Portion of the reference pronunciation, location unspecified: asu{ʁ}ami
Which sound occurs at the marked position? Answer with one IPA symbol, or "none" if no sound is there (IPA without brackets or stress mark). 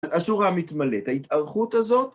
ʁ